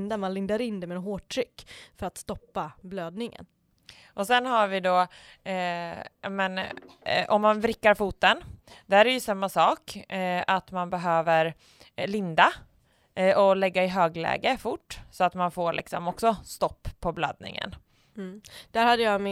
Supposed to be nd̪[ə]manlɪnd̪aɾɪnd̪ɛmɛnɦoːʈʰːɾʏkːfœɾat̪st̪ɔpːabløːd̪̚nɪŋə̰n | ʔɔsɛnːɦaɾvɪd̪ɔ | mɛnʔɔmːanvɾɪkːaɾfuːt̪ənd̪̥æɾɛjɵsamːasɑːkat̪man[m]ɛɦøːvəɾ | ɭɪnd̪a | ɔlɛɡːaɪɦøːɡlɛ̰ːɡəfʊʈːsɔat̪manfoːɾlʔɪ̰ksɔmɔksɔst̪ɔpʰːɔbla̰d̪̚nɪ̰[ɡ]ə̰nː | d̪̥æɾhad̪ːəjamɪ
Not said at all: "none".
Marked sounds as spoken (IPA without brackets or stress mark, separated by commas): a, b, ŋ